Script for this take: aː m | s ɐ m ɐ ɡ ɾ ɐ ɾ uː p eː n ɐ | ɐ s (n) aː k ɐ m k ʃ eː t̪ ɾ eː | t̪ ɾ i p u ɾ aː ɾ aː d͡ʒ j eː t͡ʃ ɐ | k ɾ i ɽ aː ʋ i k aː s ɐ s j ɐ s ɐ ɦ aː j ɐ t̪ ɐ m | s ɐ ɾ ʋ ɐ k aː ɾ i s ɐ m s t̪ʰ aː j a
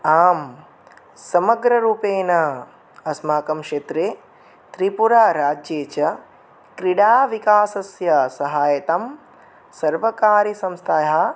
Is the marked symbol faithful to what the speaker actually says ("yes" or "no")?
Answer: no